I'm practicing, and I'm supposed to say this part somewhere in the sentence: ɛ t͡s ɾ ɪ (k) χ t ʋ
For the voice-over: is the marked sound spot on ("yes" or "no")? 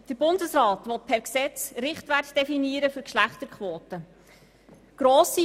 no